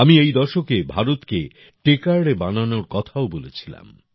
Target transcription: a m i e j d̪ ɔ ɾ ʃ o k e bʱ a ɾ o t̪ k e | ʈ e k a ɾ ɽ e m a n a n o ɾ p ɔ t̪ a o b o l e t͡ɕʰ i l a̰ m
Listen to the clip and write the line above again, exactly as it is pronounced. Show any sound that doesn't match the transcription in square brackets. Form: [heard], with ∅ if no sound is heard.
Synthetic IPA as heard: a m i e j d̪ ɔ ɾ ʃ o k e bʱ a ɾ o t̪ k e | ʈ e k a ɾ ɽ e [b] a n a n o ɾ [k] ɔ [t̪ʰ] a o b o l e t͡ɕʰ i l a̰ m